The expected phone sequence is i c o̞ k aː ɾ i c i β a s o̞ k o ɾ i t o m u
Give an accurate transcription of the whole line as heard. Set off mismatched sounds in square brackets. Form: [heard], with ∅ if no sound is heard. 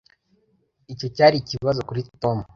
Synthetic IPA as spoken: i c o̞ [c] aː ɾ i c i β a [z] o̞ k [u] ɾ i t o m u